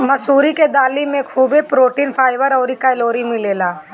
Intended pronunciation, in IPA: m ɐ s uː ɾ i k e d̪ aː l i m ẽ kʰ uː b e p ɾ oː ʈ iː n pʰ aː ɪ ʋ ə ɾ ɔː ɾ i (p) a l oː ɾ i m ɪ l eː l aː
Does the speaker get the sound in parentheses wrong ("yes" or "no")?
yes